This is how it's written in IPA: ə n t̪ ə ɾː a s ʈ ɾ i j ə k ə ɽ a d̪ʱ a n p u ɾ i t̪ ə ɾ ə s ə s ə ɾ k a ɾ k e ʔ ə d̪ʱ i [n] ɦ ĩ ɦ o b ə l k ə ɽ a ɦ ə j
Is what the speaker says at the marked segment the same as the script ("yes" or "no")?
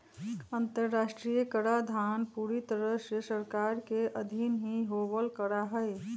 yes